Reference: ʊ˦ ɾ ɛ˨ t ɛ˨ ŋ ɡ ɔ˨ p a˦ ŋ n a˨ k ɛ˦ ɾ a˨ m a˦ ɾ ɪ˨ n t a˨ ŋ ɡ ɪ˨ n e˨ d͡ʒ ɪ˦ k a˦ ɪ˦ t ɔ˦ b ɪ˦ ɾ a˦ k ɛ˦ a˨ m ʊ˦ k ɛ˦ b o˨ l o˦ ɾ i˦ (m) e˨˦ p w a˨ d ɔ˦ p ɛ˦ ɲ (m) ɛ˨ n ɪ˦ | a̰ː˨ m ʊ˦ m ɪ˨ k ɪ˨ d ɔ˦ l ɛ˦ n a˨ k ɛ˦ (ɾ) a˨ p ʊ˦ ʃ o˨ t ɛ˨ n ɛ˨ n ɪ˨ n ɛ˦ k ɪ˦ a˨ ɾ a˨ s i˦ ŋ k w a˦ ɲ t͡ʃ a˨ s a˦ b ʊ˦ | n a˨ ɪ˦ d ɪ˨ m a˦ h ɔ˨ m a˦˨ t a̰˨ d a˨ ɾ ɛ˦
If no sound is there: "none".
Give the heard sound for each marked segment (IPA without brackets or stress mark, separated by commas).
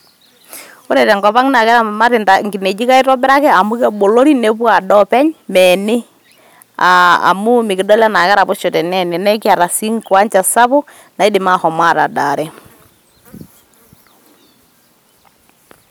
n, m, ɾ